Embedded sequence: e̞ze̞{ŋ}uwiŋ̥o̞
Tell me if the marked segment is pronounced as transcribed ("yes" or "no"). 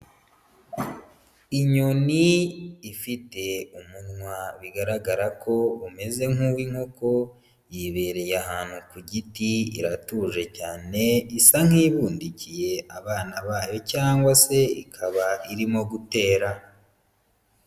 yes